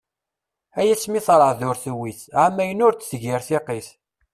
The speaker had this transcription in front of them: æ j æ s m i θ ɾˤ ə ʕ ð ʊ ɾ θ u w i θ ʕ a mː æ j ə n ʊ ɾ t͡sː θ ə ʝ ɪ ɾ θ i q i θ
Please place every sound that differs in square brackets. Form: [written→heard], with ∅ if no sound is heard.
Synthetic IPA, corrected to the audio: æ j æ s m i θ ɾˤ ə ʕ ð ʊ ɾ θ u w i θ ʕ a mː æ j ə n ʊ ɾ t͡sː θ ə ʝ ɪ ɾ θ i q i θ